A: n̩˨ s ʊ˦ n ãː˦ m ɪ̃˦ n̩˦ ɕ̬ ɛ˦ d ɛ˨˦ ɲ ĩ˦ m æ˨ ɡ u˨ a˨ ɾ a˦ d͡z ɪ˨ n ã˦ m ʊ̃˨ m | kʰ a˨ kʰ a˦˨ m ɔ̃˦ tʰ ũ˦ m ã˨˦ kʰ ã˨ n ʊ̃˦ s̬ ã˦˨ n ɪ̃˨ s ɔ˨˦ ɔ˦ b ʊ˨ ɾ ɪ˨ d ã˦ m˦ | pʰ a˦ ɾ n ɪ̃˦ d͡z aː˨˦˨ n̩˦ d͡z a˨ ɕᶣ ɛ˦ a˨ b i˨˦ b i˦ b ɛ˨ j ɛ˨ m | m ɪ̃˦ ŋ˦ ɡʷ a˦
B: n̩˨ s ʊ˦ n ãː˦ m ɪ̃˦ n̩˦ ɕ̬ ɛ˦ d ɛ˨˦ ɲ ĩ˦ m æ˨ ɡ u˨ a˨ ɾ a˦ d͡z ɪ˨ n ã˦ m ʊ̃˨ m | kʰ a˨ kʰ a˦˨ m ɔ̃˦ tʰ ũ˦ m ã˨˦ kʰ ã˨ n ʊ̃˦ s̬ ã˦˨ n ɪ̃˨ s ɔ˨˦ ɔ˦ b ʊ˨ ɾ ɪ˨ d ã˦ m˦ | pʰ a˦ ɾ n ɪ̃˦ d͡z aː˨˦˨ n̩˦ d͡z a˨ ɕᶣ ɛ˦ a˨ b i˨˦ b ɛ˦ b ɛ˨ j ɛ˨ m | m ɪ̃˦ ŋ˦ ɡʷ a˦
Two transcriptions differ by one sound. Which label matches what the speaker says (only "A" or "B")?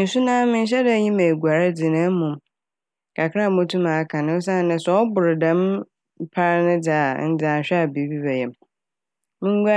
A